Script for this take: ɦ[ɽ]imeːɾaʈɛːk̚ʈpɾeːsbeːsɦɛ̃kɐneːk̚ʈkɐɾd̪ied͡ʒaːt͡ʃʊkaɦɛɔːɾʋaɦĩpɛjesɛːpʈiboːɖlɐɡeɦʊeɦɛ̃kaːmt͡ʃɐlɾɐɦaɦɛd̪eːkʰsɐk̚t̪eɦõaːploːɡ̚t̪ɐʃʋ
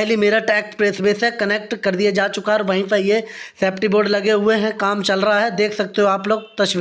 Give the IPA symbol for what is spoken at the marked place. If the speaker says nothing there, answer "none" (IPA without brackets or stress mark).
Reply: l